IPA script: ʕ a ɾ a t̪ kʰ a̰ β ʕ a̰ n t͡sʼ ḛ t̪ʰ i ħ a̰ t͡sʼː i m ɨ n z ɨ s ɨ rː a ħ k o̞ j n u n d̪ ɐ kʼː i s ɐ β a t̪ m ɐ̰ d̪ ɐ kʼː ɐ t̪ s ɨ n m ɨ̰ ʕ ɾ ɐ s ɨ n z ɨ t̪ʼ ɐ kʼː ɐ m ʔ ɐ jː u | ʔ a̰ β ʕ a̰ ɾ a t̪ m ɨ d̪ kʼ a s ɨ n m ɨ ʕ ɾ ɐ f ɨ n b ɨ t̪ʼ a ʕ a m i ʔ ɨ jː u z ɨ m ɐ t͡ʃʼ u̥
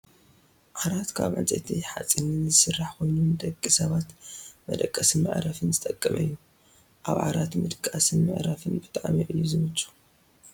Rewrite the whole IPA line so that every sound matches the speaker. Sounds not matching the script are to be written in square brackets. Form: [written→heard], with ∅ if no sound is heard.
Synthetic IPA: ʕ a ɾ a t̪ kʰ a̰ β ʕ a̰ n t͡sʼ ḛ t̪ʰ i ħ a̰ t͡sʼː i [m→n] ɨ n z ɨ s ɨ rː a ħ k o̞ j n u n d̪ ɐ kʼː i s ɐ β a t̪ m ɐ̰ d̪ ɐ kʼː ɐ [t̪→∅] s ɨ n m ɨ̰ ʕ ɾ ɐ [s→f] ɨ n z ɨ t̪ʼ ɐ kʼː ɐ m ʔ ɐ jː u | ʔ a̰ β ʕ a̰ ɾ a t̪ m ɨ d̪ kʼ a s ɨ n m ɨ ʕ ɾ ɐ f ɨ n b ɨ t̪ʼ a ʕ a m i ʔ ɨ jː u z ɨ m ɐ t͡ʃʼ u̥